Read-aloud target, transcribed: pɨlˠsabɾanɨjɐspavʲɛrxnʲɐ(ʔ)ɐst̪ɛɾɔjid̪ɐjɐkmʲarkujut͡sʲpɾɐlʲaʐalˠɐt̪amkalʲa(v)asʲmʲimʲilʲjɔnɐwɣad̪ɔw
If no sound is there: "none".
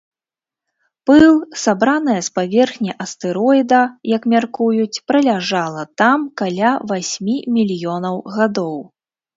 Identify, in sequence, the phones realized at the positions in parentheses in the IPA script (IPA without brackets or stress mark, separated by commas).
ʔ, v